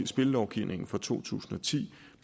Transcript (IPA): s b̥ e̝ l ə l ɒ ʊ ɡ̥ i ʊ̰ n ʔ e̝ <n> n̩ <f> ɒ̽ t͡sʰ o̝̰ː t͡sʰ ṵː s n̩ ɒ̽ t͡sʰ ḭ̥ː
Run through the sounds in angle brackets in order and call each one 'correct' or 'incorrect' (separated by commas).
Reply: incorrect, correct